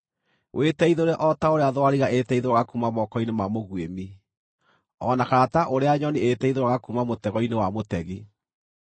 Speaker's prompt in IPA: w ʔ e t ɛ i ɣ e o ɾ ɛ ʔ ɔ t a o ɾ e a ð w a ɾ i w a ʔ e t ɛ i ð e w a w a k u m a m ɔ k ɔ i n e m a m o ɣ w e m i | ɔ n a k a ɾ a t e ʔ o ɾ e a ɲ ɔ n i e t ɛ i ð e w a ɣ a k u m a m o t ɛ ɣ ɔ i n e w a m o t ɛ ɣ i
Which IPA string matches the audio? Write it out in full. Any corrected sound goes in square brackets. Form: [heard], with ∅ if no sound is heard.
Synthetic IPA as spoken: w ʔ e t ɛ i [ð] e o ɾ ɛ ʔ ɔ t a o ɾ e a ð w a ɾ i [ɣ] a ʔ e t ɛ i ð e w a [ɣ] a k u m a m ɔ k ɔ i n e m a m o ɣ w e m i | ɔ n a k a ɾ a t [a] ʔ o ɾ e a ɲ ɔ n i e t ɛ i ð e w a ɣ a k u m a m o t ɛ ɣ ɔ i n e w a m o t ɛ ɣ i